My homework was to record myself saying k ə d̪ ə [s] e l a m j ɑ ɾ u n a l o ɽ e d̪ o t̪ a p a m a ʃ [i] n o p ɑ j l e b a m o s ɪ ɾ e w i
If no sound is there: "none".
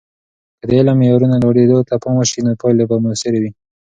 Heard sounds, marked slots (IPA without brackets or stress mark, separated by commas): none, i